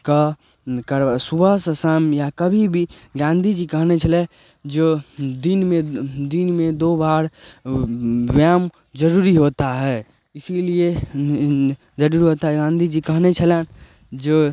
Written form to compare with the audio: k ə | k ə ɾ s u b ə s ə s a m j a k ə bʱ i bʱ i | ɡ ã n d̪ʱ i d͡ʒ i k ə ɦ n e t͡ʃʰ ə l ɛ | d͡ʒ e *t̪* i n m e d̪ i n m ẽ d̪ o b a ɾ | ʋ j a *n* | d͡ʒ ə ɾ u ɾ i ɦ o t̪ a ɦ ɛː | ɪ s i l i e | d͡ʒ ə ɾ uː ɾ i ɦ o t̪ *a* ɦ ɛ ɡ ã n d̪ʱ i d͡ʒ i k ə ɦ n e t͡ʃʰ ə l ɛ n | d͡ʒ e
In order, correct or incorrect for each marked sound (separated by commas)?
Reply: incorrect, incorrect, correct